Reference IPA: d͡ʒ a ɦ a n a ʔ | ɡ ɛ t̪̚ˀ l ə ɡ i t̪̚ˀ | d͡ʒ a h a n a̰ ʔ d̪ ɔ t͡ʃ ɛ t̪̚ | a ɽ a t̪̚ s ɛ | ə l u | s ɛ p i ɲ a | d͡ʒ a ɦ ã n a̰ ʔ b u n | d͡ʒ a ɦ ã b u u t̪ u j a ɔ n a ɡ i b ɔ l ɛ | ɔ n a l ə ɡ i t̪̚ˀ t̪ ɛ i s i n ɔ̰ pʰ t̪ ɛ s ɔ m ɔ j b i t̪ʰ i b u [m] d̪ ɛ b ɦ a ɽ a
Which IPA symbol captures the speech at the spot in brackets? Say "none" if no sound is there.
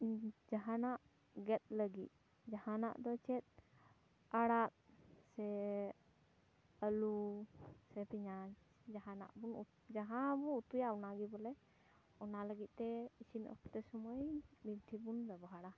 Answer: n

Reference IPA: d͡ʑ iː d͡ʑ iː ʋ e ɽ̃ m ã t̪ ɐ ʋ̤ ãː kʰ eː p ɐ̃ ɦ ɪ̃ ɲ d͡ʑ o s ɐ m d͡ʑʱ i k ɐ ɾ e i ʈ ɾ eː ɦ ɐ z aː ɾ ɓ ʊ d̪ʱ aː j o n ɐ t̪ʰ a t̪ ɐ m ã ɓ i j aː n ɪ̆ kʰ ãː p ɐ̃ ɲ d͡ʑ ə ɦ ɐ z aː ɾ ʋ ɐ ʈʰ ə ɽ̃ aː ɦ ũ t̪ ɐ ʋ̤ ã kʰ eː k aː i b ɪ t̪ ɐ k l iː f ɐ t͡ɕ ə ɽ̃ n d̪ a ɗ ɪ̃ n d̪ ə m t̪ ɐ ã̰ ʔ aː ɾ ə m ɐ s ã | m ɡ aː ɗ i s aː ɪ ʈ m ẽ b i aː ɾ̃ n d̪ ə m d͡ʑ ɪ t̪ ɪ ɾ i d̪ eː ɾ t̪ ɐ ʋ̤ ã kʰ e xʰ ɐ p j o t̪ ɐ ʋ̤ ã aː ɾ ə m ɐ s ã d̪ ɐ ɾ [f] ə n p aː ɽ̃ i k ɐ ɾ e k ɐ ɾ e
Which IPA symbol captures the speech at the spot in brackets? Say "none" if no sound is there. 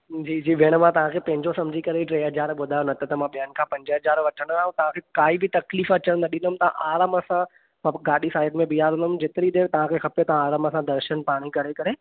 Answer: ʃ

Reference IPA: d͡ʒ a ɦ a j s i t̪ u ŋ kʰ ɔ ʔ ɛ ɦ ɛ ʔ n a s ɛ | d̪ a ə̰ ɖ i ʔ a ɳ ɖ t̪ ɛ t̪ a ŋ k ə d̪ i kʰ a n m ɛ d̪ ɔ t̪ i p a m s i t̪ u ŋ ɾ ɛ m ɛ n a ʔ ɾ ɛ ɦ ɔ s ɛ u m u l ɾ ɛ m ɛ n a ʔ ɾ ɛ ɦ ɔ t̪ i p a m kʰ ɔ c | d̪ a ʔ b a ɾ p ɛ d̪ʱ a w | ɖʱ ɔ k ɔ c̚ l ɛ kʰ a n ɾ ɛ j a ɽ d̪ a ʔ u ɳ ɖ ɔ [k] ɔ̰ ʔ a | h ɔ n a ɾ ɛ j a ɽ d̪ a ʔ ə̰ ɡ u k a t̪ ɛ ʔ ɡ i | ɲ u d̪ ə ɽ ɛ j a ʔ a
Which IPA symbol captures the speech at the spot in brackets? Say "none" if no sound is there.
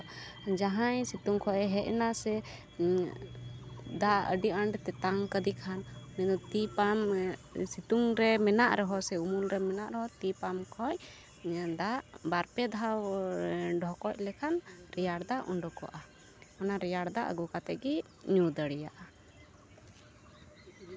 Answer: k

